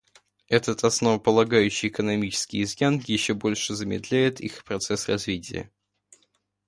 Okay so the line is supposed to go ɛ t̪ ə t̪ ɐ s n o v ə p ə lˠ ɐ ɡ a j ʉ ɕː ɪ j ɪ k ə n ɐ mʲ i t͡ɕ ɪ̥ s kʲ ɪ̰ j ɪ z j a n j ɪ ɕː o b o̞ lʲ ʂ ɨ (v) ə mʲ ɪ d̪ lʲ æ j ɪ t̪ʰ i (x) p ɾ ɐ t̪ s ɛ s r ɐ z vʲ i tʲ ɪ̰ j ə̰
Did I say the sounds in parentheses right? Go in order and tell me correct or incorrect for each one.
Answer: incorrect, correct

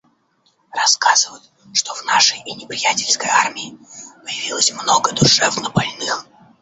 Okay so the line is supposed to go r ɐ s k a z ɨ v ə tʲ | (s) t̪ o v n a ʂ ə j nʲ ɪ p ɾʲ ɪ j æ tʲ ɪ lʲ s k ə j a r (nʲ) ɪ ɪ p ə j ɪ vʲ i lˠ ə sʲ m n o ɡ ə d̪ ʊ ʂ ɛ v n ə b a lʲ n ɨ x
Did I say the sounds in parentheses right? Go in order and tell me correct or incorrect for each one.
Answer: incorrect, incorrect

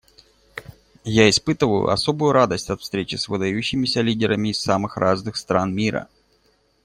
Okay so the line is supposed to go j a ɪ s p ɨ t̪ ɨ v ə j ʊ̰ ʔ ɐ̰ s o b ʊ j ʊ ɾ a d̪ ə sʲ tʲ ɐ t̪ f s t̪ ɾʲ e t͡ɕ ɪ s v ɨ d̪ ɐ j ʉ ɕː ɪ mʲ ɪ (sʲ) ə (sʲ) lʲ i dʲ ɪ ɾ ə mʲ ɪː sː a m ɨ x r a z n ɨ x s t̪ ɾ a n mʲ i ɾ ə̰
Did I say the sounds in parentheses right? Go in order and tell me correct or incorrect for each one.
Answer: correct, incorrect

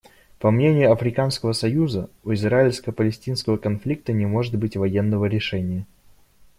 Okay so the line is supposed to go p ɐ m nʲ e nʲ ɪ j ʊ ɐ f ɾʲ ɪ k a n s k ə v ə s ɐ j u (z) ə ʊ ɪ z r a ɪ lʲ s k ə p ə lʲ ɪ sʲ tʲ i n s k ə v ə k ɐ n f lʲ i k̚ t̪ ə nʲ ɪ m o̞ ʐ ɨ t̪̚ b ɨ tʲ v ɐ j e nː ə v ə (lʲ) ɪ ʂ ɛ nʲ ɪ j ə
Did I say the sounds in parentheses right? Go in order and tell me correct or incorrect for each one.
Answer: correct, incorrect

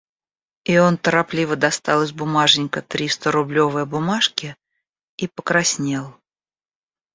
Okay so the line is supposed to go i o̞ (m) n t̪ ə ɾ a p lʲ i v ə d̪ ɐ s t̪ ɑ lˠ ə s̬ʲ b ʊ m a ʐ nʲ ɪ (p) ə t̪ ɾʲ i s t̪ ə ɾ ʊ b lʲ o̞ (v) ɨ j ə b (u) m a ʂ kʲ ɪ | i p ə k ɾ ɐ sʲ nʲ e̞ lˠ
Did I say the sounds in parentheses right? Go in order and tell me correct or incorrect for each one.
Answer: incorrect, incorrect, correct, incorrect

